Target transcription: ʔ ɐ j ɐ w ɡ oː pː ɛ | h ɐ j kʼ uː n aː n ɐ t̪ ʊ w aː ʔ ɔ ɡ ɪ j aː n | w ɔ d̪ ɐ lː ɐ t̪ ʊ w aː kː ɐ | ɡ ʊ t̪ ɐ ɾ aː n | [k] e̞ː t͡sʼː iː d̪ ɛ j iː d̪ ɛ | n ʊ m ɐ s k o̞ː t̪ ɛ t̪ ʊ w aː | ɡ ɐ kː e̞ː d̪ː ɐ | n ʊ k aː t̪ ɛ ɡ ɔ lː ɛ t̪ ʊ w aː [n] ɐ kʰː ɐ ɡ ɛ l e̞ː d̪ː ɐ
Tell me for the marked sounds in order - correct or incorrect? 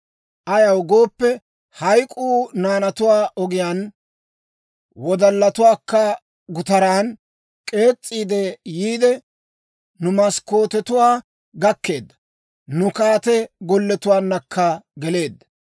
incorrect, incorrect

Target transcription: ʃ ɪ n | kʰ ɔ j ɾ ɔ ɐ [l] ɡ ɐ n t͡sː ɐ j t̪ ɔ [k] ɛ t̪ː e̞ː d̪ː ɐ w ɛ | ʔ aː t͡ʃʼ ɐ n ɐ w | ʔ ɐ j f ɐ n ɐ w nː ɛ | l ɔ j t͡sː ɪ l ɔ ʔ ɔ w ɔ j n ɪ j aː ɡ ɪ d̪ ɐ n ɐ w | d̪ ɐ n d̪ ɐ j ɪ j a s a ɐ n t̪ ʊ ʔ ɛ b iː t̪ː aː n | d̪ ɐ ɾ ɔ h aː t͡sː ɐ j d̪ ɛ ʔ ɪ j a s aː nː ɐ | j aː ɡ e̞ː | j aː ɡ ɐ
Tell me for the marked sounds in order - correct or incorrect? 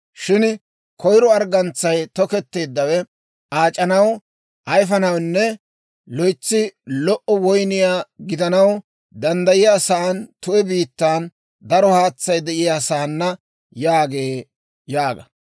incorrect, correct

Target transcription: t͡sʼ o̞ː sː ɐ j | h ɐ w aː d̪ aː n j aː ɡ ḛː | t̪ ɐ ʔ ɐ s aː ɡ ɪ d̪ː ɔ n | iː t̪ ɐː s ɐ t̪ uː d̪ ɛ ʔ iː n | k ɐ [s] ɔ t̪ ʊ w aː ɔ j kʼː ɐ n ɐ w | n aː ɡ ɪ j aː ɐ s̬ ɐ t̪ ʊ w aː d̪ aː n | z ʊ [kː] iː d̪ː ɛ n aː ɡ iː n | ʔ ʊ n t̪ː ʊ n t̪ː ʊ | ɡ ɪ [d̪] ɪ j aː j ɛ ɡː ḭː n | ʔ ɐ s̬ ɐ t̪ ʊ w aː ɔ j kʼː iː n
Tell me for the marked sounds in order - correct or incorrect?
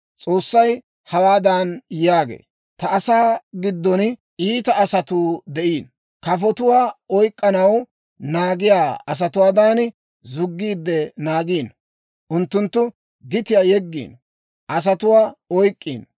incorrect, incorrect, incorrect

